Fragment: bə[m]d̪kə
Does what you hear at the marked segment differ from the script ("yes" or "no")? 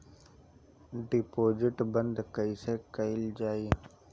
yes